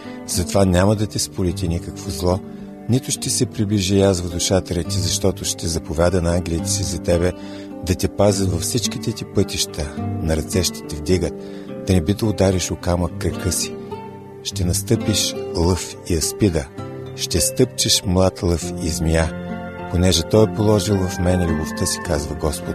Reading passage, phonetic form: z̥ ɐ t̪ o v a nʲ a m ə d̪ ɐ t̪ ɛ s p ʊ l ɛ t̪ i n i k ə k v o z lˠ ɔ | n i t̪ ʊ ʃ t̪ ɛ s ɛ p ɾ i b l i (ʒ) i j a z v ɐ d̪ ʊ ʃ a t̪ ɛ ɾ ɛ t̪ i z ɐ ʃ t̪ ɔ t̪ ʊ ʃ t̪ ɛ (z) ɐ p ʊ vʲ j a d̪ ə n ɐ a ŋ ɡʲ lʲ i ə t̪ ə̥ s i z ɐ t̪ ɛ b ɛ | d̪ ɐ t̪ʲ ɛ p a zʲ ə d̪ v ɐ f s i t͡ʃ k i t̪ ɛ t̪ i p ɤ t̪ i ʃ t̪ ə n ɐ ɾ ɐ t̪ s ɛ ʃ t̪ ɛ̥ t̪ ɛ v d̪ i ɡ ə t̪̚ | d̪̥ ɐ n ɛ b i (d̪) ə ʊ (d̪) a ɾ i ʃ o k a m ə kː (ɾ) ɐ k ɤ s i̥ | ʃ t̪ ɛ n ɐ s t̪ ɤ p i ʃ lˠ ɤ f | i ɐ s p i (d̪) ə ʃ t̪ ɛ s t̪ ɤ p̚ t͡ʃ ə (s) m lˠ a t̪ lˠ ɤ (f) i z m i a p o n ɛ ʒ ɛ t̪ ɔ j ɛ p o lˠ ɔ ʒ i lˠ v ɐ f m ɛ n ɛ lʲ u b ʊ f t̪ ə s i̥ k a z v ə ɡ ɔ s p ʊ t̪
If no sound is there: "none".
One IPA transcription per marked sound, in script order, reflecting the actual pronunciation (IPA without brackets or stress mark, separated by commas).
ʒ, z, d̪, d̪, ɾ, d̪, ʃ, f